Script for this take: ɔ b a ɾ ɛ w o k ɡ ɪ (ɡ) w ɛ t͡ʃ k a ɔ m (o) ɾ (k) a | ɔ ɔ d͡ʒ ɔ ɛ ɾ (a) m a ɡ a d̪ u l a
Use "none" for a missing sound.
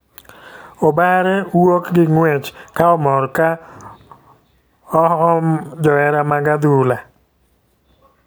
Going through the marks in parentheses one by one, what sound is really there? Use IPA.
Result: ŋ, ɔ, k, a

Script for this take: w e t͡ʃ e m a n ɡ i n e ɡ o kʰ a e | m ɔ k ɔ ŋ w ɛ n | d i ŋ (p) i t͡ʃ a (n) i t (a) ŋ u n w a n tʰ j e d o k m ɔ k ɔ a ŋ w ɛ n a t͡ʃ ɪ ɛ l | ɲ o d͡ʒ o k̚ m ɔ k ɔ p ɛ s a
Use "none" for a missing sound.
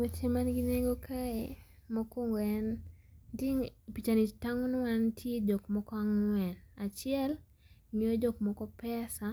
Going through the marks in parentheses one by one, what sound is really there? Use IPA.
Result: p, n, a

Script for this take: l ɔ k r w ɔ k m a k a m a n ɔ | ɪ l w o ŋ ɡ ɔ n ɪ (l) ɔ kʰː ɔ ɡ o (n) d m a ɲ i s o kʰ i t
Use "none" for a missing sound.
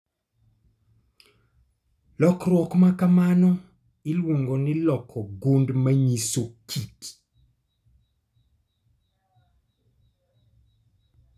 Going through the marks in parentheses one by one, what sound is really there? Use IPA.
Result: l, n

